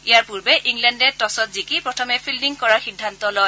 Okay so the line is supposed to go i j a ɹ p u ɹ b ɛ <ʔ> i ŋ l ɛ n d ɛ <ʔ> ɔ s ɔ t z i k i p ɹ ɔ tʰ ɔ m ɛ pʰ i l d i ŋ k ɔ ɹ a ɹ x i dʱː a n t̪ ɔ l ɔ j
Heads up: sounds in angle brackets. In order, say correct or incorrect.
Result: correct, incorrect: t

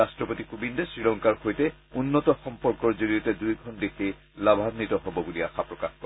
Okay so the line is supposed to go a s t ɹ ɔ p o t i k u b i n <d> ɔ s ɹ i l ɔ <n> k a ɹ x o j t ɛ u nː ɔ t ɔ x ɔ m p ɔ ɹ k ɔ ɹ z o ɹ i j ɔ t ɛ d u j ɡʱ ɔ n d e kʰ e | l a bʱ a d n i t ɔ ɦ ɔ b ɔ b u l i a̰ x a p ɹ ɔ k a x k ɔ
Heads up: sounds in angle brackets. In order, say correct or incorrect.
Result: correct, incorrect: ŋ

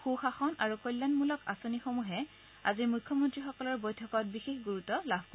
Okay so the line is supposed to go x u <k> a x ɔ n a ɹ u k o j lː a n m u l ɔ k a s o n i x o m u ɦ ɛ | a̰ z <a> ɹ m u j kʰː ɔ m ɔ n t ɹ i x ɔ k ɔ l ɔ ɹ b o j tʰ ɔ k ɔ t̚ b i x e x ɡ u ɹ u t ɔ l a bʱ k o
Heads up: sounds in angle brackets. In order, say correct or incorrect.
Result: incorrect: x, incorrect: i

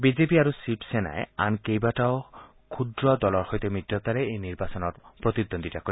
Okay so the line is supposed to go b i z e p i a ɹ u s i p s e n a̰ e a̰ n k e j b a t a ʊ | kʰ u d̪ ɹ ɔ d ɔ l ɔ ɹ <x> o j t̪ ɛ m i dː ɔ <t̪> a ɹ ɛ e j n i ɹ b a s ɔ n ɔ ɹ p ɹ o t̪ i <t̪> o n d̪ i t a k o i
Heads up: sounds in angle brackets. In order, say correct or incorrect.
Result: correct, correct, incorrect: d̪

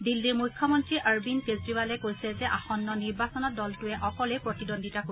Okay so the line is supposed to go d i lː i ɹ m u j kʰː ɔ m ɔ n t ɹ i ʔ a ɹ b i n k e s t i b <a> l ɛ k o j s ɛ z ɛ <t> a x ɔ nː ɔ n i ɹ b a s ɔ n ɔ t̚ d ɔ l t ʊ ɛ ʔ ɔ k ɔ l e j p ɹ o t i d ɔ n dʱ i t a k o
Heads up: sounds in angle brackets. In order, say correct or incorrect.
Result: correct, incorrect: ʔ

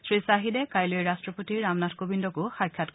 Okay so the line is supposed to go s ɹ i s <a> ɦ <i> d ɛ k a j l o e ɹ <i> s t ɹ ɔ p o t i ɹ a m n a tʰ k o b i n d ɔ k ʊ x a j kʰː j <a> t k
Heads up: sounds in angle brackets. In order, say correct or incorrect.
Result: correct, correct, incorrect: a, correct

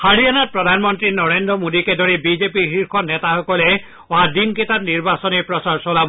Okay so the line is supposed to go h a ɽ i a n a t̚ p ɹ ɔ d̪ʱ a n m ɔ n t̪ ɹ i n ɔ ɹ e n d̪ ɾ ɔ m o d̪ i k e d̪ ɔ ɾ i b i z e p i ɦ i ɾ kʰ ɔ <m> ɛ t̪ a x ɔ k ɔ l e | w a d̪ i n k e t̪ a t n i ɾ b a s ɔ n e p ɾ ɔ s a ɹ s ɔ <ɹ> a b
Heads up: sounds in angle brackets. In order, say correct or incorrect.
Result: incorrect: n, incorrect: l

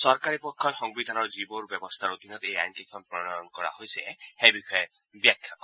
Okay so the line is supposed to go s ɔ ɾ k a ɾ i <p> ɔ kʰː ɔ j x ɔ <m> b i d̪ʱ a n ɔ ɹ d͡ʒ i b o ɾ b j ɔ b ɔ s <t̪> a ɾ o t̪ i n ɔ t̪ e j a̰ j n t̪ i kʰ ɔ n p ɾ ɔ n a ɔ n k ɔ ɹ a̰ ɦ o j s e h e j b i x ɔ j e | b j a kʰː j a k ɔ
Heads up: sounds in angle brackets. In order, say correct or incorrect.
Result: correct, incorrect: ŋ, incorrect: t̪ʰ

